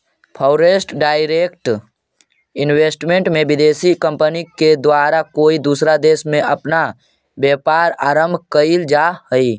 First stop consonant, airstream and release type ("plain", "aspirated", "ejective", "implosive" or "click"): aspirated